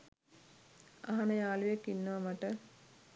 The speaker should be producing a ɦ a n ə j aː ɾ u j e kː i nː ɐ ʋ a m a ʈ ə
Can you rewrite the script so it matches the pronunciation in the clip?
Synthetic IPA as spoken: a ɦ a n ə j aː l u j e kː i nː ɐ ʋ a m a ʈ ə